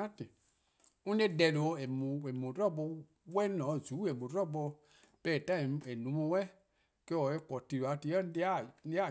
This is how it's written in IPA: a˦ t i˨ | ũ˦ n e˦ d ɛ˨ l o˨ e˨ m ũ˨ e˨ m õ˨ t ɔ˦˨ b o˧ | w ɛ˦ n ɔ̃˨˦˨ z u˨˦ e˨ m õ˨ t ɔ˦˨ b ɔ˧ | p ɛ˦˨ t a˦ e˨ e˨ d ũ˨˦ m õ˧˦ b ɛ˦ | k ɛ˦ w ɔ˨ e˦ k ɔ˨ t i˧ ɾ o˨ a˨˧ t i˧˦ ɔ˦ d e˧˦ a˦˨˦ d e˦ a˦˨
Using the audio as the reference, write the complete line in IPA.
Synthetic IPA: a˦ t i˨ | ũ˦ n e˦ d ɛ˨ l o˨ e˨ m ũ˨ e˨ m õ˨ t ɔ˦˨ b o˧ | w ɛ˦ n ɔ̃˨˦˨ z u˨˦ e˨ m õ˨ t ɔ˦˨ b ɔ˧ | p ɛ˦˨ t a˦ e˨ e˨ n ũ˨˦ m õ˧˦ w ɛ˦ | k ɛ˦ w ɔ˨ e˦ k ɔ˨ t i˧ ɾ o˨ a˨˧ t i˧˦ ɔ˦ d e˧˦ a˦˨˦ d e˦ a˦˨